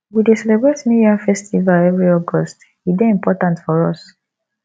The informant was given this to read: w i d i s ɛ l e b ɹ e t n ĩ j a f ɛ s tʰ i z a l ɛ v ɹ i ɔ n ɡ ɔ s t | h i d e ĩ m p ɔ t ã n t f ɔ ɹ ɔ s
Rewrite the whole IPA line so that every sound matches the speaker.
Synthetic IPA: w i d e s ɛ l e b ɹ e t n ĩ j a f ɛ s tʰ i v a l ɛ v ɹ i ɔ ɡ ɔ s t | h i d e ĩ m p ɔ t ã n t f ɔ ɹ ɔ s